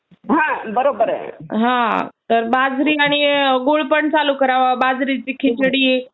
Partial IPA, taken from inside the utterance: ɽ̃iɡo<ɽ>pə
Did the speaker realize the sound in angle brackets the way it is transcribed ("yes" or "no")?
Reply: no